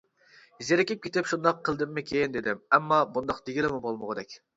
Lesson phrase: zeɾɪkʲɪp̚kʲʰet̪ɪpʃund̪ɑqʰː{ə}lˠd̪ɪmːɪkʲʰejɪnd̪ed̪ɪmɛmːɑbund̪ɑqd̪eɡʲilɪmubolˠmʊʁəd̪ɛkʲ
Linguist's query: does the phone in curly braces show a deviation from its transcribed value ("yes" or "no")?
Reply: no